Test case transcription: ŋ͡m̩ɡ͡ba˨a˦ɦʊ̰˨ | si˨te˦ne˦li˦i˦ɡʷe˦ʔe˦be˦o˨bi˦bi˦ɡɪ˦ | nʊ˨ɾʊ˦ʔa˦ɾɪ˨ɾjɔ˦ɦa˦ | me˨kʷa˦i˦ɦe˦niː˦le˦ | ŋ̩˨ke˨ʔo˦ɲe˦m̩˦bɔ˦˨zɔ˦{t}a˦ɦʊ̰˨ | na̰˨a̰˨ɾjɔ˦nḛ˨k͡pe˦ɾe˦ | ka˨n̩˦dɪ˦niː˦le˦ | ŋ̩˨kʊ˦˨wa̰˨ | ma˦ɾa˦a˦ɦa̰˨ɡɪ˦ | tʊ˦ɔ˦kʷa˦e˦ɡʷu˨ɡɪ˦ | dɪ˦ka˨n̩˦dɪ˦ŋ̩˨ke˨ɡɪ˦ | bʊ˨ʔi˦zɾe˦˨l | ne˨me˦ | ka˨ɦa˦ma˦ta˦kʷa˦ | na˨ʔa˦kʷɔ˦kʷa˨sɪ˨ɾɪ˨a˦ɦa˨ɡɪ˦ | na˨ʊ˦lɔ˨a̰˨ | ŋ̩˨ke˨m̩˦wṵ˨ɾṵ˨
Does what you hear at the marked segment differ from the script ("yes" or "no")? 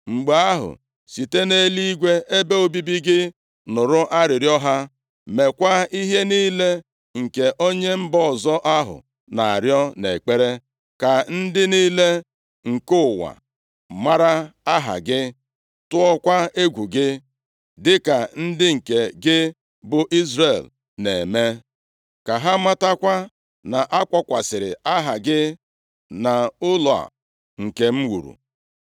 yes